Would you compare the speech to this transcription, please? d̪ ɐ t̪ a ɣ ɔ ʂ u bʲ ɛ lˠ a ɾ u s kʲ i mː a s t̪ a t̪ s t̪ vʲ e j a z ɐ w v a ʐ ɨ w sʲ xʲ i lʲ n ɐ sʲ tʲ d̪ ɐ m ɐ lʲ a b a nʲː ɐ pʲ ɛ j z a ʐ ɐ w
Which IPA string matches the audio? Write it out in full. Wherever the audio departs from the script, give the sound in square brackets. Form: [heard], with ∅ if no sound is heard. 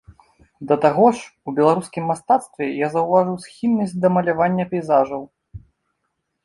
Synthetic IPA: d̪ ɐ t̪ a ɣ ɔ ʂ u bʲ ɛ lˠ a ɾ u s kʲ i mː a s t̪ a t̪ s t̪ vʲ [ɛ] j a z ɐ w v a ʐ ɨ w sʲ xʲ i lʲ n ɐ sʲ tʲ d̪ ɐ m ɐ lʲ a [v] a nʲː ɐ pʲ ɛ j z a ʐ ɐ w

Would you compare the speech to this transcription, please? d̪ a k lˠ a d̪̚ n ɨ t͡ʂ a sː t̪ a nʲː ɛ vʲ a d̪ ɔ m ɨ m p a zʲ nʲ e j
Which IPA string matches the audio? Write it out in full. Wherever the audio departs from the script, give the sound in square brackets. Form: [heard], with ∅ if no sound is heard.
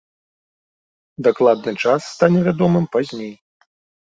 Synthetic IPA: d̪ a k lˠ a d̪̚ n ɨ t͡ʂ a sː t̪ a [nʲ] ɛ vʲ a d̪ ɔ m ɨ m p a zʲ nʲ e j

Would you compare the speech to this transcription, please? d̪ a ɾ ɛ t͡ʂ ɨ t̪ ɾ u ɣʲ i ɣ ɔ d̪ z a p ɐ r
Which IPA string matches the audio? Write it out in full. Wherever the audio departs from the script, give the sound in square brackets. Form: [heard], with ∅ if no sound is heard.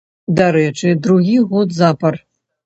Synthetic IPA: d̪ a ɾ ɛ t͡ʂ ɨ [d̪] ɾ u ɣʲ i ɣ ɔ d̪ z a p ɐ r

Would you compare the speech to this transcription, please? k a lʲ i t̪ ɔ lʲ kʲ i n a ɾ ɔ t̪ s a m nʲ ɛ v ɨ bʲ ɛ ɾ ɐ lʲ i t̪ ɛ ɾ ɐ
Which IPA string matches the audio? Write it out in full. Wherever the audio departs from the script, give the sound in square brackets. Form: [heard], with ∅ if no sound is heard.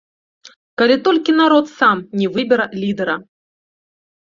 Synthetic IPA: k a lʲ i t̪ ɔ lʲ kʲ i n a ɾ ɔ t̪ s a m nʲ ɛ v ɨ bʲ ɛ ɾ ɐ lʲ i [d̪] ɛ ɾ ɐ

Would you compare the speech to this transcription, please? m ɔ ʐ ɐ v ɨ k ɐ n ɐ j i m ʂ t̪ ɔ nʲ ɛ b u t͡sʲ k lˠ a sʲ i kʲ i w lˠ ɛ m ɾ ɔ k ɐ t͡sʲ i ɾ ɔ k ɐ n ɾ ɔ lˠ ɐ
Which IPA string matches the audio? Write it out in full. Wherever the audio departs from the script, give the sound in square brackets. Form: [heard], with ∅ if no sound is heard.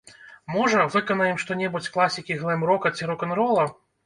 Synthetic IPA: m ɔ ʐ ɐ v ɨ k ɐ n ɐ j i m ʂ t̪ ɔ nʲ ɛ b u t͡sʲ k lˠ a sʲ i kʲ i [ɣ] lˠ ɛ m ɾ ɔ k ɐ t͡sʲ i ɾ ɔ k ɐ n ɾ ɔ lˠ ɐ

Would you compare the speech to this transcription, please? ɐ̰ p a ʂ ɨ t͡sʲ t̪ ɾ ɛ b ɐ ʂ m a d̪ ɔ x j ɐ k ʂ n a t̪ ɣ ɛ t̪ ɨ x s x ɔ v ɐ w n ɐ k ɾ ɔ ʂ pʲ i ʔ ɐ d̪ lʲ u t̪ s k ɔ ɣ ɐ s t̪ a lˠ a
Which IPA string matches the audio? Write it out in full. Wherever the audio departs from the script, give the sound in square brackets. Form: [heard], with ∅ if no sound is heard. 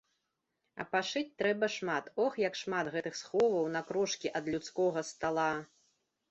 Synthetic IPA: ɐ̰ p a ʂ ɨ t͡sʲ t̪ ɾ ɛ b ɐ ʂ m a [t̪] ɔ x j ɐ k ʂ [m] a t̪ ɣ ɛ t̪ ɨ x s x ɔ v ɐ w n ɐ k ɾ ɔ ʂ [kʲ] i ʔ ɐ d̪ lʲ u t̪ s k ɔ ɣ ɐ s t̪ a lˠ a

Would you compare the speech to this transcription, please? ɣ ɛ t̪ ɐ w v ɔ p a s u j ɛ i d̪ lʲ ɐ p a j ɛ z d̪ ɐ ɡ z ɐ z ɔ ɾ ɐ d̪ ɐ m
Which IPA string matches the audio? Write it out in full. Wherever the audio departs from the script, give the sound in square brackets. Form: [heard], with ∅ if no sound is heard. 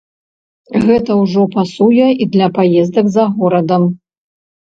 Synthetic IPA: ɣ ɛ t̪ ɐ w [ʐ] ɔ p a s u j ɛ i d̪ lʲ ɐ p a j ɛ z d̪ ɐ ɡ z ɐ [ɣ] ɔ ɾ ɐ d̪ ɐ m

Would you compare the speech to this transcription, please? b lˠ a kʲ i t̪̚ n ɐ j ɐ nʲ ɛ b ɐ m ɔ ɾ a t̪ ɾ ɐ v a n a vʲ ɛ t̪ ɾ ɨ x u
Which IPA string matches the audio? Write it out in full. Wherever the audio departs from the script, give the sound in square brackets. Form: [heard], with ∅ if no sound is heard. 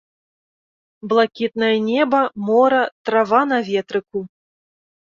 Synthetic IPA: b lˠ a kʲ i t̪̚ n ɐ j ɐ nʲ ɛ b ɐ m ɔ ɾ [ɐ] t̪ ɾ [a] v a n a vʲ ɛ t̪ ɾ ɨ [k] u

